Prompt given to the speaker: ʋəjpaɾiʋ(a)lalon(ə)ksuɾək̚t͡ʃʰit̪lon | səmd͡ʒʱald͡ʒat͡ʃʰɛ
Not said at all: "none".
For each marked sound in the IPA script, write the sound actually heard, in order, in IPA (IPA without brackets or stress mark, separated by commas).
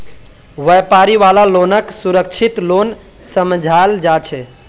a, ə